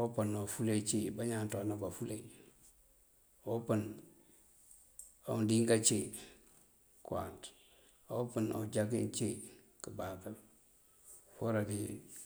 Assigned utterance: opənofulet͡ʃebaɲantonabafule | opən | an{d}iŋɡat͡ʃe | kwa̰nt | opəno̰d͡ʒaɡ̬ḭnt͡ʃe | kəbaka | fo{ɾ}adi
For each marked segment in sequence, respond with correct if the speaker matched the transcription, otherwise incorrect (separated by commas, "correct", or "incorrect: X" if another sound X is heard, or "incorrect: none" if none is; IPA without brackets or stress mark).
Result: correct, correct